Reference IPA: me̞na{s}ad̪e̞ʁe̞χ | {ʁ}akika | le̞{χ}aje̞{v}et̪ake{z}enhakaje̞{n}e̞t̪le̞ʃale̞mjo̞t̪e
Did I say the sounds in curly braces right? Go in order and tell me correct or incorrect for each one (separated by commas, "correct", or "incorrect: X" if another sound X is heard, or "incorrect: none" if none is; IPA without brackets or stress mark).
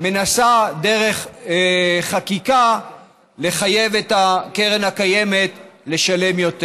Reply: correct, incorrect: χ, correct, correct, incorrect: ʁ, incorrect: m